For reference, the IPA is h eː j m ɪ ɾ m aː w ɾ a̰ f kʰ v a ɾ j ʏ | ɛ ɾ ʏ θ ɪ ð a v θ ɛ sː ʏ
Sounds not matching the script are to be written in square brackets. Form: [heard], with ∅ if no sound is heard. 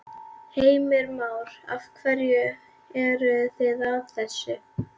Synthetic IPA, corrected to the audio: h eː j m ɪ ɾ m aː w ɾ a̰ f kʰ v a ɾ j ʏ | ɛ ɾ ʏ θ ɪ ð a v θ ɛ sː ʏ